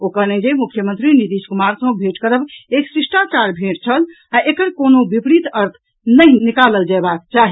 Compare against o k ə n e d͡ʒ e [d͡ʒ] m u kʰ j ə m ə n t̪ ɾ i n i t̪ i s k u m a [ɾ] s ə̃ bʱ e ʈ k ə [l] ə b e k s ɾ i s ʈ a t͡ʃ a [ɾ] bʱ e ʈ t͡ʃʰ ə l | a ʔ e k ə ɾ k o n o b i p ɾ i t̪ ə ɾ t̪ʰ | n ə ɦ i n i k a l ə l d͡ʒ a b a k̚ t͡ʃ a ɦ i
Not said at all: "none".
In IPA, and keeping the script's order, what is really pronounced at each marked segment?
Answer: none, ɾ, ɾ, ɾ

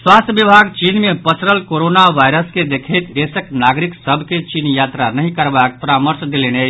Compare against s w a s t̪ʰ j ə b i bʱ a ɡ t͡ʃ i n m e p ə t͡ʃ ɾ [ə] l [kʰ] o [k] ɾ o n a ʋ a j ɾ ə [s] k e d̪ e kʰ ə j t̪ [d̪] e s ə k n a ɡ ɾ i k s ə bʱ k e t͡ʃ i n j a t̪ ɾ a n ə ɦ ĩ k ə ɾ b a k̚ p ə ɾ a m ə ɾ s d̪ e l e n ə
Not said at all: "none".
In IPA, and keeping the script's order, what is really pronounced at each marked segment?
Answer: ə, k, none, s, d̪

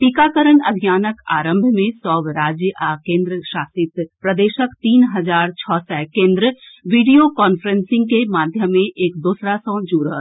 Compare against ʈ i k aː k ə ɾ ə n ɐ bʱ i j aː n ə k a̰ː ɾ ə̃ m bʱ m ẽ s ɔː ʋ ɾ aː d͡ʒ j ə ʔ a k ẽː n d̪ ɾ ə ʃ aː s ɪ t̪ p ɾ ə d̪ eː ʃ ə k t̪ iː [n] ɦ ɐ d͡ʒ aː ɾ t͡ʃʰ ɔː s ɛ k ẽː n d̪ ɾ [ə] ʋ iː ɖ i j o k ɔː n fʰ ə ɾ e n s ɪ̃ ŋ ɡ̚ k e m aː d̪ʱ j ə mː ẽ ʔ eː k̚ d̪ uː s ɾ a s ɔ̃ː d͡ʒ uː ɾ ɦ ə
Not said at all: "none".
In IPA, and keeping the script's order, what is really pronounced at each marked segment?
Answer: n, ə

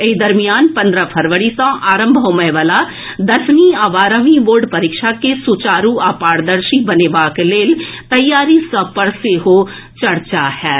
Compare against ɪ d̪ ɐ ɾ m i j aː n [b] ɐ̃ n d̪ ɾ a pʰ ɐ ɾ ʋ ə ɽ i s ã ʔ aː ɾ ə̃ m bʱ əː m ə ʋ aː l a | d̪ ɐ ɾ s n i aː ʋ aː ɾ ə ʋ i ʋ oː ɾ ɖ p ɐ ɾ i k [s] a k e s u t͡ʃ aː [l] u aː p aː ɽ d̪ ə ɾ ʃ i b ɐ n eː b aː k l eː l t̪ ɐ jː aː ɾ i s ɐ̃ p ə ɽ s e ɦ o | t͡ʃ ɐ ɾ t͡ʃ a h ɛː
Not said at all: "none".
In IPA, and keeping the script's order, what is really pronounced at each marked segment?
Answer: p, ʃ, ɾ

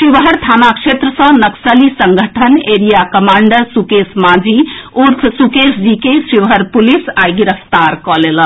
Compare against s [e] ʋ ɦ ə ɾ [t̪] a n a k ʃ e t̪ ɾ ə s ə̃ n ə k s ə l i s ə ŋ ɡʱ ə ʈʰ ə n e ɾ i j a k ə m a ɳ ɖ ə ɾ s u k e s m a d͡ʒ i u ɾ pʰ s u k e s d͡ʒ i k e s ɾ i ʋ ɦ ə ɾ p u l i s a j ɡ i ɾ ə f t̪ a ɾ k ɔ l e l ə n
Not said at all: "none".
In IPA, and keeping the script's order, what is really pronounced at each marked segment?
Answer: i, t̪ʰ

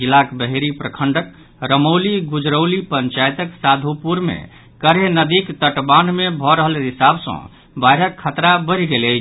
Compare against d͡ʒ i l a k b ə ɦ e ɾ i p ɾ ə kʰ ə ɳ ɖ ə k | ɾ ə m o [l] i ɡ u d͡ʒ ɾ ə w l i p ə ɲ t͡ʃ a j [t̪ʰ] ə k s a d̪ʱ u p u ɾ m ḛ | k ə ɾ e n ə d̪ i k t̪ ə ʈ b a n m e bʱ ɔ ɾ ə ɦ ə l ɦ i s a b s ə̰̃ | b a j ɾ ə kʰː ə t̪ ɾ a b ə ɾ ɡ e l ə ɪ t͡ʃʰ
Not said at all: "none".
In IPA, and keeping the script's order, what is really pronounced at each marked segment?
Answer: l, t̪

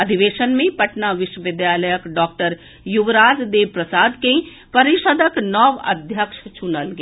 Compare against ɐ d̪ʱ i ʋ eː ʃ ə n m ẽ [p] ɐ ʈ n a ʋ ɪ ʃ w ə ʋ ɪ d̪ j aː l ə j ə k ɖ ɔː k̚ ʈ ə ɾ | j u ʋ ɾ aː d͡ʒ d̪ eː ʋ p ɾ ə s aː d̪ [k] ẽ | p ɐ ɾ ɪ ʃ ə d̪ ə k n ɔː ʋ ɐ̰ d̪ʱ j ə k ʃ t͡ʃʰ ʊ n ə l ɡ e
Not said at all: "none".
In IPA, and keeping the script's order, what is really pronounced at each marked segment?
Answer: p, k

